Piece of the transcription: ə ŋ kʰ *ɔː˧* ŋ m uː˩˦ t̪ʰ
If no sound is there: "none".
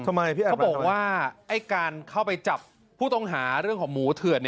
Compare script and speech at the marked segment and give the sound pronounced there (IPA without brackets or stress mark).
ɔː˩˦